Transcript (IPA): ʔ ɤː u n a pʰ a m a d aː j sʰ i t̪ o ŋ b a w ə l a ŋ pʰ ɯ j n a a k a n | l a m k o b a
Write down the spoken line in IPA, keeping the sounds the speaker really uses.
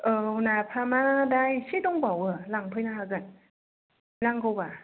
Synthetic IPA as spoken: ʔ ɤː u n a pʰ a m a d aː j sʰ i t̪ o ŋ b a w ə l a ŋ pʰ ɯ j n a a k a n | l a ŋ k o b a